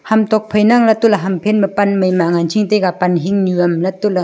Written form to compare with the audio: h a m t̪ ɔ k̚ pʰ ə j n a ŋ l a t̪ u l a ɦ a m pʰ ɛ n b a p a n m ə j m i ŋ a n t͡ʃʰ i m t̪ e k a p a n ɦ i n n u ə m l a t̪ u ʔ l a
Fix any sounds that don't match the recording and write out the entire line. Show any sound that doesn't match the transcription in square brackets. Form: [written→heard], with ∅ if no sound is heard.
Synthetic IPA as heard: h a m t̪ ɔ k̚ pʰ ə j n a ŋ l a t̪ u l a ɦ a m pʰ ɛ n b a p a n m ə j m [i→a] ŋ a n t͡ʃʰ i [m→ŋ] t̪ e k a p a n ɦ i [n→ŋ] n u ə m l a t̪ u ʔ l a